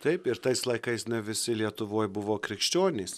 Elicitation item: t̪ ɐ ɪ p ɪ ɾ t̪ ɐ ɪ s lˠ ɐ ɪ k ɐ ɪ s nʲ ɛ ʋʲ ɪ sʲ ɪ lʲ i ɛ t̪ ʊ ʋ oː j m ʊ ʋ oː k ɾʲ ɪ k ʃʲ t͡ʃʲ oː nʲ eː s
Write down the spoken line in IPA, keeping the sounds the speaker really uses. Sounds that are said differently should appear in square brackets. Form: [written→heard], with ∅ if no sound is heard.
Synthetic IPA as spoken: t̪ ɐ ɪ p ɪ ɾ t̪ ɐ ɪ s lˠ ɐ ɪ k ɐ ɪ s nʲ ɛ ʋʲ ɪ sʲ ɪ lʲ i ɛ t̪ ʊ ʋ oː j [m→b] ʊ ʋ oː k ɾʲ ɪ k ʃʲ t͡ʃʲ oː nʲ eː s